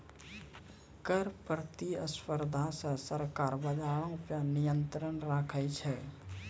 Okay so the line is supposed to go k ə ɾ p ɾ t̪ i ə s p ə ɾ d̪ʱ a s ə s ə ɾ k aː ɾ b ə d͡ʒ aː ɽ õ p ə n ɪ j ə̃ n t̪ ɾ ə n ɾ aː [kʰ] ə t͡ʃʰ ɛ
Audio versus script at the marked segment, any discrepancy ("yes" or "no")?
no